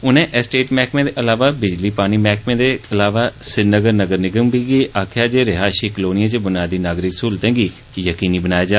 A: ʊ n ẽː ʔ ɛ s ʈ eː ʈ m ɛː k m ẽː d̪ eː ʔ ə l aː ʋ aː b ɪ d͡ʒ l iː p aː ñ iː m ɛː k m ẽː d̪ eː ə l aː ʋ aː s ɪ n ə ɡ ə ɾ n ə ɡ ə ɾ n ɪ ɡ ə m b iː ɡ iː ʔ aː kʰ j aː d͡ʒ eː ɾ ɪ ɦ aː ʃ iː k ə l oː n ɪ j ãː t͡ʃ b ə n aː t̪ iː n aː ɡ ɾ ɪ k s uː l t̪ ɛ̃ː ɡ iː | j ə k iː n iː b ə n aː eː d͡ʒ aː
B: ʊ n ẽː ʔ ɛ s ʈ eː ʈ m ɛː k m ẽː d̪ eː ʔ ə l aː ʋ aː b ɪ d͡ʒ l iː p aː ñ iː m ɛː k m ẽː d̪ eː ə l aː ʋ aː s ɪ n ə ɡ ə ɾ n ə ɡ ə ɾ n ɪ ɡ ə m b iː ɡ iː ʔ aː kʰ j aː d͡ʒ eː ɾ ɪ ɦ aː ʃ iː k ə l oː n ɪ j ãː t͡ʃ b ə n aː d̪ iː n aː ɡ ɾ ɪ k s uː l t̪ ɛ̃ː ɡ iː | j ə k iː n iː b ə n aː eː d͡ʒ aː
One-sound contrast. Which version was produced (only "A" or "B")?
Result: B